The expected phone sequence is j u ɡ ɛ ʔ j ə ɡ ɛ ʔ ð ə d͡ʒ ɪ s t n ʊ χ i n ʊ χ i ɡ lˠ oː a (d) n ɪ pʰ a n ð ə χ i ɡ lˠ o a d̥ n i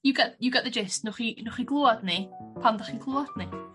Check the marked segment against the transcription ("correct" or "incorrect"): correct